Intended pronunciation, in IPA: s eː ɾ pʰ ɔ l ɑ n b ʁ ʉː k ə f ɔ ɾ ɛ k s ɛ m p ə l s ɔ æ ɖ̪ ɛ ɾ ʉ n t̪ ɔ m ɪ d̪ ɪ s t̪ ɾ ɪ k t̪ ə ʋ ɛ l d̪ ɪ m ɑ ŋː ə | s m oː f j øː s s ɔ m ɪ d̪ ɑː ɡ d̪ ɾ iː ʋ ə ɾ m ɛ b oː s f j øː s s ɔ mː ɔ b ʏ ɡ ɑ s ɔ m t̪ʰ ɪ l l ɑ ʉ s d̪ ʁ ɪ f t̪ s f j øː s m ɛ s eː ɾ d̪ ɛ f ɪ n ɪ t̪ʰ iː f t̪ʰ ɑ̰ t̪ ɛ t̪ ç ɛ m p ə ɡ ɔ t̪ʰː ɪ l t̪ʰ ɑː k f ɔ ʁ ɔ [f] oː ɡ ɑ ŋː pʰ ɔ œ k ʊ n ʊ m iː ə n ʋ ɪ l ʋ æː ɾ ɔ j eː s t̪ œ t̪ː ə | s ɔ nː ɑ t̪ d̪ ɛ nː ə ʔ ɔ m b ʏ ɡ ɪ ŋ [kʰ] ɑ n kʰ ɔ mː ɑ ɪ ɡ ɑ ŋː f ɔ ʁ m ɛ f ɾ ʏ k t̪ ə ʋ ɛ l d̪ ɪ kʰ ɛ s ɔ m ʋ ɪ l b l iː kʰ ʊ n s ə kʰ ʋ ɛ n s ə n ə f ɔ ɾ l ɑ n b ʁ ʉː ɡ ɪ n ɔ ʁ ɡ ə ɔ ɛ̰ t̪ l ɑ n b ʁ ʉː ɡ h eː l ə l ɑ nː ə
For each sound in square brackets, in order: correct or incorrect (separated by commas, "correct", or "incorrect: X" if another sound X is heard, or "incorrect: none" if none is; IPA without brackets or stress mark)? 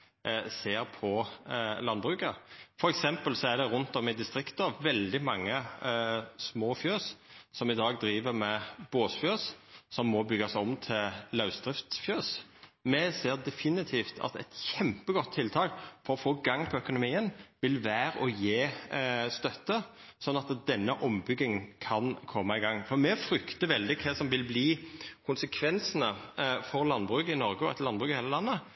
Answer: correct, correct